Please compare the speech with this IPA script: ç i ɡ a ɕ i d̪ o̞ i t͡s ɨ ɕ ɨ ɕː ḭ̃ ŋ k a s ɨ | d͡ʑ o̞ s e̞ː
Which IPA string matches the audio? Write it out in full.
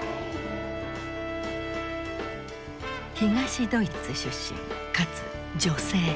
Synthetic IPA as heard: ç i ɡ a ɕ i d̪ o̞ i t͡s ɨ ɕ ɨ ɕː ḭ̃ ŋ k a t͡s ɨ | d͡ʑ o̞ s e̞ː